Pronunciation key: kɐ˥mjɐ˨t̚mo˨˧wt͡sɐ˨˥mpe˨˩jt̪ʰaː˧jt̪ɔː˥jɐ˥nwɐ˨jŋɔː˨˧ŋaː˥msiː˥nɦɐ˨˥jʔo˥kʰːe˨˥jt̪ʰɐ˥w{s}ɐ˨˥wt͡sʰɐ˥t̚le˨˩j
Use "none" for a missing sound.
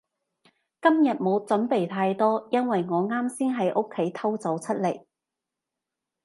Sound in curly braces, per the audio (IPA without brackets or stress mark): t͡s